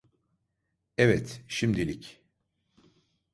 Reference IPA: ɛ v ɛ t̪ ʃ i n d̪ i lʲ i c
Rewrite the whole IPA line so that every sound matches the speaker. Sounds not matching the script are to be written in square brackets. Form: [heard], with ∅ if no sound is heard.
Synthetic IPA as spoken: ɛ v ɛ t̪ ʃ i [m] d̪ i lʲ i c